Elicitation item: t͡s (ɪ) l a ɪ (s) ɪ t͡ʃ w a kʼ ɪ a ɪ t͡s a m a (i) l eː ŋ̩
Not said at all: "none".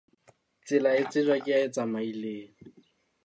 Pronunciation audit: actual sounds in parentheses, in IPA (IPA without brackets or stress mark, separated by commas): ɪ, t͡s, i